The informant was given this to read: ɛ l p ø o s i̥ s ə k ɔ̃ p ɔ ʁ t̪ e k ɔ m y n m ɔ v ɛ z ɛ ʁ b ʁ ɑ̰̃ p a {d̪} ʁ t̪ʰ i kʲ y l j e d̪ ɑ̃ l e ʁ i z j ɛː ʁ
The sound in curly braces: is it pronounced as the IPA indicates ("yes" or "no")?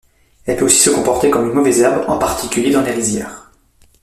no